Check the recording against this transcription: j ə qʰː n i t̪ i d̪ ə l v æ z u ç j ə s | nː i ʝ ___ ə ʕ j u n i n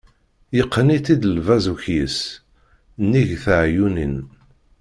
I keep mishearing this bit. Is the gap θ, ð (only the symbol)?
θ